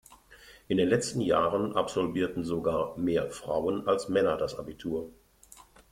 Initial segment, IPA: ʔ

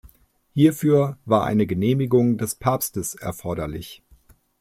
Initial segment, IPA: h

